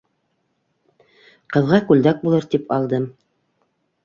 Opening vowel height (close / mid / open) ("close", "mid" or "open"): mid